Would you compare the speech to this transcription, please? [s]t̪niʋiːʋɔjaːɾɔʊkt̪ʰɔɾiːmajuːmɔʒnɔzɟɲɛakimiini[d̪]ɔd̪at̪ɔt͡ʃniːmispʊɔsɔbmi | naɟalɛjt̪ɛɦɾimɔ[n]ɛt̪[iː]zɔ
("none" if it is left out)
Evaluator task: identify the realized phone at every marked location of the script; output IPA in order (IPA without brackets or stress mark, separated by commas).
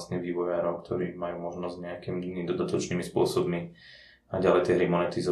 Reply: s, d̪, n, i